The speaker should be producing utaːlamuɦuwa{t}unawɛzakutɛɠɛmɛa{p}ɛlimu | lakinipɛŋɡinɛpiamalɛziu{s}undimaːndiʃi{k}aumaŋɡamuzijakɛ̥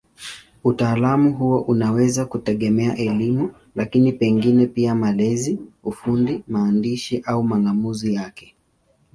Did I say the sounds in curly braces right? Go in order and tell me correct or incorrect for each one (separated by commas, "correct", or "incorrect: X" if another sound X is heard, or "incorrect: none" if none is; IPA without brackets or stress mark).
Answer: incorrect: ʔ, incorrect: ʔ, incorrect: f, incorrect: ʔ